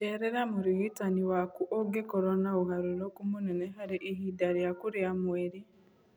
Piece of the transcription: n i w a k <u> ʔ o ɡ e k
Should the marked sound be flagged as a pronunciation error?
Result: no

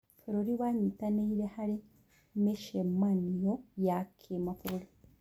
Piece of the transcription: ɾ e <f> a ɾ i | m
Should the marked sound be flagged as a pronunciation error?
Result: yes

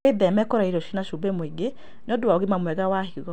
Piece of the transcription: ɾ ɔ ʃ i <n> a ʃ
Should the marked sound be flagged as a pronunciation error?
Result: no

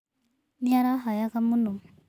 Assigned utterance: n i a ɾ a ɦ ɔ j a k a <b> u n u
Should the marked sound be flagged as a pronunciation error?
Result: yes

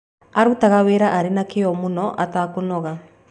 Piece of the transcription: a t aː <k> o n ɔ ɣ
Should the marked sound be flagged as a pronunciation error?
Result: no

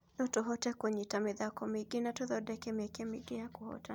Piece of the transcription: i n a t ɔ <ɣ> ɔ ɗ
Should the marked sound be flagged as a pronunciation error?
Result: yes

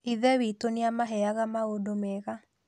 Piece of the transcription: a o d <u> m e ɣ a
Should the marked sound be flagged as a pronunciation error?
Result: yes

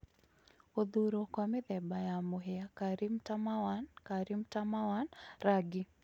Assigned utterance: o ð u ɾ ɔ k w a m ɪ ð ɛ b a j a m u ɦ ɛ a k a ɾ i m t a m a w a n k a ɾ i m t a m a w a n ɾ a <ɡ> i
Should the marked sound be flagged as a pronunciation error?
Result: no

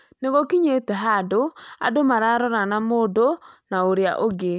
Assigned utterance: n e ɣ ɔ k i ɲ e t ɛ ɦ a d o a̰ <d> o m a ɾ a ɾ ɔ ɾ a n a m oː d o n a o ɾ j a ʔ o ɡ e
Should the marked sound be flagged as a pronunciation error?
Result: no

